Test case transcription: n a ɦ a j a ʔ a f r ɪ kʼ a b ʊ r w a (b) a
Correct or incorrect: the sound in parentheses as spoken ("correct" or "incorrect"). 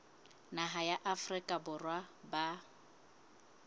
correct